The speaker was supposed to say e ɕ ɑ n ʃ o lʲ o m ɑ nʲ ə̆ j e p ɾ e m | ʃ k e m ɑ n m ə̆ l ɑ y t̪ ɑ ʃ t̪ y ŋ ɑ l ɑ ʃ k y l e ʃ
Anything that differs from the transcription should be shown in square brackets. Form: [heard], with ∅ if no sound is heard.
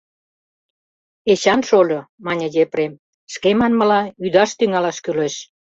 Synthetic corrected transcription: e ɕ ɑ n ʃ o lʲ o m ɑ nʲ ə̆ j e p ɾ e m | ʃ k e m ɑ n m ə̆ l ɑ y [d̪] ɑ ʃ t̪ y ŋ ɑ l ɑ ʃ k y l e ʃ